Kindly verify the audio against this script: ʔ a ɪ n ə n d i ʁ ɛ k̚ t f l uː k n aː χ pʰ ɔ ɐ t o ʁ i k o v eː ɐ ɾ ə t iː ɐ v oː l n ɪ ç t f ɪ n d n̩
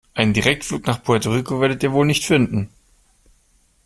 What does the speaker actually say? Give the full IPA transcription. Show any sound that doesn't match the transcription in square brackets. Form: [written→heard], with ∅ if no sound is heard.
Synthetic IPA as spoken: ʔ a ɪ n ə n d i ʁ ɛ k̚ t f l uː k n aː χ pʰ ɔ ɐ t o ʁ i k o v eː ɐ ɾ ə t iː ɐ v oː l n ɪ ç t f ɪ n d n̩

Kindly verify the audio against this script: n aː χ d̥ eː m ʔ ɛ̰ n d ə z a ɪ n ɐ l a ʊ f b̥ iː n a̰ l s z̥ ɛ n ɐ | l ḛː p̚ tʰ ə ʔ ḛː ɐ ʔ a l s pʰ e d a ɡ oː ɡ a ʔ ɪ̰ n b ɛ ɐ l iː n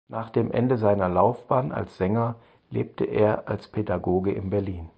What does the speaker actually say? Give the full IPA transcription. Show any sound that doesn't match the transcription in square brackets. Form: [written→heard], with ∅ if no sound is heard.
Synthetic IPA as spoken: n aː χ d̥ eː m ʔ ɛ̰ n d ə z a ɪ n ɐ l a ʊ f b̥ [iː→aː] n a̰ l s z̥ ɛ [n→ŋ] ɐ | l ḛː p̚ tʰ ə ʔ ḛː ɐ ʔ a l s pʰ e d a ɡ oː ɡ [a→ə] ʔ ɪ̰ n b ɛ ɐ l iː n

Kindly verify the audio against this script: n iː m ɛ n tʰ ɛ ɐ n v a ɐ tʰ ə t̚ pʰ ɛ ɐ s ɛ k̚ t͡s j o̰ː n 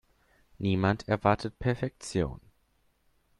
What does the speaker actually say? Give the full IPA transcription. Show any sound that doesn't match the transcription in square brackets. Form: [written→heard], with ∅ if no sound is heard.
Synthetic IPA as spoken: n iː m [ɛ→a] n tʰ ɛ ɐ [n→∅] v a ɐ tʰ ə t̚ pʰ ɛ ɐ [s→f] ɛ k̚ t͡s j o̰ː n

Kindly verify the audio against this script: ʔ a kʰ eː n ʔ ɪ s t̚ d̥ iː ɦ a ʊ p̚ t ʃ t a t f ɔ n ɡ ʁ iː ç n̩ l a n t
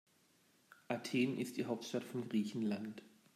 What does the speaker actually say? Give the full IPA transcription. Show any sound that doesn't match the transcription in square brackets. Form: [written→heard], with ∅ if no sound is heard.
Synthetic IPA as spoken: ʔ a [kʰ→tʰ] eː n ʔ ɪ s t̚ d̥ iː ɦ a ʊ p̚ t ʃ t a t f ɔ n ɡ ʁ iː ç n̩ l a n t

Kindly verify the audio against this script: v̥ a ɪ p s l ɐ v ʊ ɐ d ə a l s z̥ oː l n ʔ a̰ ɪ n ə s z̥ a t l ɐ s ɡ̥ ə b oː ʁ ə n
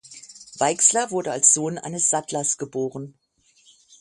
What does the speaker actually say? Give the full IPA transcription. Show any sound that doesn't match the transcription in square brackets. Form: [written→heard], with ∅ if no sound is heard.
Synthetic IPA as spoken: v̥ a ɪ [p→k] s l ɐ v ʊ ɐ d ə a l s z̥ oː [l→∅] n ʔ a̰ ɪ n ə s z̥ a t l ɐ s ɡ̥ ə b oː ʁ ə n

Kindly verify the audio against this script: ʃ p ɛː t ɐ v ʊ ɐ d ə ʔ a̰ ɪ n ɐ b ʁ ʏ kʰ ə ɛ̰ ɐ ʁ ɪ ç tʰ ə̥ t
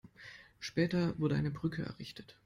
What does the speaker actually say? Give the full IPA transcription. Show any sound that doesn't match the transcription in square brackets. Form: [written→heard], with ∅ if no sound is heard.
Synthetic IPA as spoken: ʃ p ɛː t ɐ v ʊ ɐ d ə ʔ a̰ ɪ n [ɐ→ə] b ʁ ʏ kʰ ə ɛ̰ ɐ ʁ ɪ ç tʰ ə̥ t

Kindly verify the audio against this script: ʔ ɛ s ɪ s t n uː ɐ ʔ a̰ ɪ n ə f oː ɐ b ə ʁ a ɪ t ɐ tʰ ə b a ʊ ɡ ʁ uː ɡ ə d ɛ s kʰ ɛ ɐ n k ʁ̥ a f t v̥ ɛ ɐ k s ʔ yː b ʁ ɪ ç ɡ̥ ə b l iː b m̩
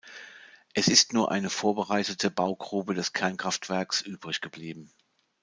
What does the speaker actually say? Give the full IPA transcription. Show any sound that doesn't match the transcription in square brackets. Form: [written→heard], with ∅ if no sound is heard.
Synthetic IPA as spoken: ʔ ɛ s ɪ s t n uː ɐ ʔ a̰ ɪ n ə f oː ɐ b ə ʁ a ɪ t [ɐ→ə] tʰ ə b a ʊ ɡ ʁ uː [ɡ→b] ə d ɛ s kʰ ɛ ɐ n k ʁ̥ a f t v̥ ɛ ɐ k s ʔ yː b ʁ ɪ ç ɡ̥ ə b l iː b m̩

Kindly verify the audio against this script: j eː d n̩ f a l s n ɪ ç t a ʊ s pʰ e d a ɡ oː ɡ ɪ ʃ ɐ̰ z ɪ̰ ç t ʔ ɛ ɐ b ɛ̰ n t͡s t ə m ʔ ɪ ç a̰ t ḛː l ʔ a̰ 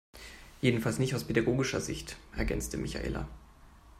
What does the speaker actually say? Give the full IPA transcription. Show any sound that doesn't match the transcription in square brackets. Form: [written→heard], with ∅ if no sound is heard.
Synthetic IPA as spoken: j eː d n̩ f a l s n ɪ ç t a ʊ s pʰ e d a ɡ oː ɡ ɪ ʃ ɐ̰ z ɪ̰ ç t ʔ ɛ ɐ [b→ɡ] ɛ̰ n t͡s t ə m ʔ ɪ ç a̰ [t→ʔ] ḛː l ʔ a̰

